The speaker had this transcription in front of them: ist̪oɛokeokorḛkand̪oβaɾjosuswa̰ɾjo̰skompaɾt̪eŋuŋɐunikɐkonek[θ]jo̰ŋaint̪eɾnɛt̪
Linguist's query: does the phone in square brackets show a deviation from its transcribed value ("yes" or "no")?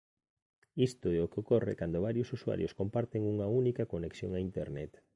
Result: yes